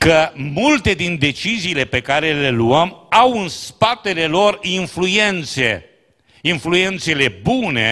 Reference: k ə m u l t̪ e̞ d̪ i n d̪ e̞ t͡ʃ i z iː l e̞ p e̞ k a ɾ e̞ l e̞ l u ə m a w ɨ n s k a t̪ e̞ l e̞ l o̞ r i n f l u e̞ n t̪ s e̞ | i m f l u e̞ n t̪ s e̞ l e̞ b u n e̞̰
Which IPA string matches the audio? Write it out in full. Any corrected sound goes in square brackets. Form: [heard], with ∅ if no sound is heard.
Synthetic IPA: k ə m u l t̪ e̞ d̪ i n d̪ e̞ t͡ʃ i z iː l e̞ p e̞ k a ɾ e̞ l e̞ l u ə m a w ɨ n s [p] a t̪ e̞ l e̞ l o̞ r i n f l u e̞ n t̪ s e̞ | i [n] f l u e̞ n t̪ s e̞ l e̞ b u n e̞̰